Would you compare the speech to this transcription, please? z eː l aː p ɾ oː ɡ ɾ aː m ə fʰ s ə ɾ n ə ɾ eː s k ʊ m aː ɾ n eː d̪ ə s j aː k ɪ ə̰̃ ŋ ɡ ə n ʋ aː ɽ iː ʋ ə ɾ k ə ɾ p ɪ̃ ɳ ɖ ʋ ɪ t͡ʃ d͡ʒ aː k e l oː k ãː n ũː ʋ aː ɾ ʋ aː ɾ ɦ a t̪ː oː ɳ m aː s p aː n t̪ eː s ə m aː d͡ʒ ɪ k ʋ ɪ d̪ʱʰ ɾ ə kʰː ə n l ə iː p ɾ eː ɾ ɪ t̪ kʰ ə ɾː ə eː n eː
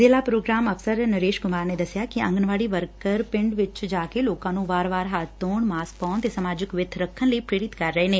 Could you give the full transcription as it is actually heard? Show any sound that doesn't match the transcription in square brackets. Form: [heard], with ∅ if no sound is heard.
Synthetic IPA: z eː l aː p ɾ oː ɡ ɾ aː m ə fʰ s ə ɾ n ə ɾ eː [ʃ] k ʊ m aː ɾ n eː d̪ ə s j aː k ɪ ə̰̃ ŋ ɡ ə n ʋ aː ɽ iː ʋ ə ɾ k ə ɾ p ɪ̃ ɳ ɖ ʋ ɪ t͡ʃ d͡ʒ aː k e l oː k ãː n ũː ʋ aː ɾ ʋ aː ɾ ɦ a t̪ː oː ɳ m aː s p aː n t̪ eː s ə m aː d͡ʒ ɪ k ʋ ɪ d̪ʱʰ ɾ ə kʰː ə n l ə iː p ɾ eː ɾ ɪ t̪ [k] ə ɾː ə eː n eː